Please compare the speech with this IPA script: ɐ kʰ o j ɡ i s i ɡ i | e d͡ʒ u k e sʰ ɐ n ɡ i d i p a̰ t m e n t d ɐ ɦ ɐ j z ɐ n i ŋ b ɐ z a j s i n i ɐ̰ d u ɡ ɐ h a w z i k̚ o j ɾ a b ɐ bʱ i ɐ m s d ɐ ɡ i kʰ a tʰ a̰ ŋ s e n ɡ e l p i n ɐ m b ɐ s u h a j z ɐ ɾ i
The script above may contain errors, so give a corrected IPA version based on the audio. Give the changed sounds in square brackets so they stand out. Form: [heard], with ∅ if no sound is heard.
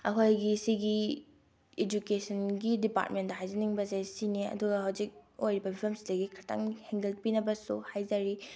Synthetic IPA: ɐ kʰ o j ɡ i s i ɡ i | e d͡ʒ u k e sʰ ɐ n ɡ i d i p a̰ t m e n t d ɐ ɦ [a] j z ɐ n i ŋ b ɐ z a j s i n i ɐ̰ d u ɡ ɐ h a w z i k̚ o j ɾ [i] b ɐ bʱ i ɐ m s d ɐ ɡ i kʰ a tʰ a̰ ŋ [h] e [ŋ] ɡ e l p i n ɐ [∅] b ɐ s u h a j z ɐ ɾ i